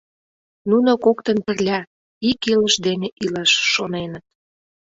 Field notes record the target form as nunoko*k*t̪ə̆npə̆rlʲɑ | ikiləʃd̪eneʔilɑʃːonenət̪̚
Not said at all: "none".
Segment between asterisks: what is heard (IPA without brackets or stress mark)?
k